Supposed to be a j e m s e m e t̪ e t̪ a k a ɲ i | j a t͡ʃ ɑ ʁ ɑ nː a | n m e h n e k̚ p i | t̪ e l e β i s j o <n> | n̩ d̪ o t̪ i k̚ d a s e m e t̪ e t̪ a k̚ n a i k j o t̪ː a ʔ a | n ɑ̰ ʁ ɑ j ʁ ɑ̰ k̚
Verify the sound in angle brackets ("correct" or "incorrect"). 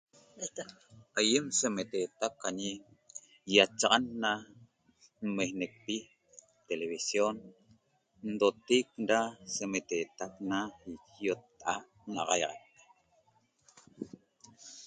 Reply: correct